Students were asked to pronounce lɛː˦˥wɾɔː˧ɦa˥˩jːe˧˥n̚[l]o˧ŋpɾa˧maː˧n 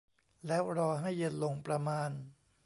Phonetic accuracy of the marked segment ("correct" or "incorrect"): correct